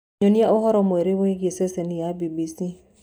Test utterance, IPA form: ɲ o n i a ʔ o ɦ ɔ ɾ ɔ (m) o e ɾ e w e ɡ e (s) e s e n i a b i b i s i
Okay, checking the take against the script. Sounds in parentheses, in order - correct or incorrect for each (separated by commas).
correct, correct